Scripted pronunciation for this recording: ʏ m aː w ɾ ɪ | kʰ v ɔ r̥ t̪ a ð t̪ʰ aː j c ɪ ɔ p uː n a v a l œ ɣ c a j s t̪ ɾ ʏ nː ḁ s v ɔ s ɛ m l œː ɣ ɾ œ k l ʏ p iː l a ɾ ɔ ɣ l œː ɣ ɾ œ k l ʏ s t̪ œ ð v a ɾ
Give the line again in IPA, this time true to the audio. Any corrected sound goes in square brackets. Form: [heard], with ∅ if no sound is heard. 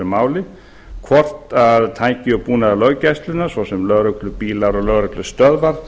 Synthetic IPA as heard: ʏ m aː w [l] ɪ | kʰ v ɔ r̥ t̪ a ð t̪ʰ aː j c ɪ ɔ p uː n a [ð] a l œ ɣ c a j s t̪ [l] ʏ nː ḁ s v ɔ s ɛ m l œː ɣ ɾ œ k l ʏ p iː l a ɾ ɔ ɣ l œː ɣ ɾ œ k l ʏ s t̪ œ ð v a ɾ